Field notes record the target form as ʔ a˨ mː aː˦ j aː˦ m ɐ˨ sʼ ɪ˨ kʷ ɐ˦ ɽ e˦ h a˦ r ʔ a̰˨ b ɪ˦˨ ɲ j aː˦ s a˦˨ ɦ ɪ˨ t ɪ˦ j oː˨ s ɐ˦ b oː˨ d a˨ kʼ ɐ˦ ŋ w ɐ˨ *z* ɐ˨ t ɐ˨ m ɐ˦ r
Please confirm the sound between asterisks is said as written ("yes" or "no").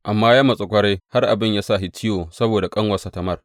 no